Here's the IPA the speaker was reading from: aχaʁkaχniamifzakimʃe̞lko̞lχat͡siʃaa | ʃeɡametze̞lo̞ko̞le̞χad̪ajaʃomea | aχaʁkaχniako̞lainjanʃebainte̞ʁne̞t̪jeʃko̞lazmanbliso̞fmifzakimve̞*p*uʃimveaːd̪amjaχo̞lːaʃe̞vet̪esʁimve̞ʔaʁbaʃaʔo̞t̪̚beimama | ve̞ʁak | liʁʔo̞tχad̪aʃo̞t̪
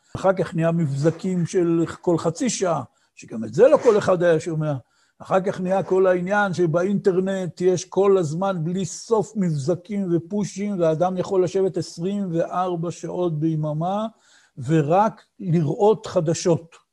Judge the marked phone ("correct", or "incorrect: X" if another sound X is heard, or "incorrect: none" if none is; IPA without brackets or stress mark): correct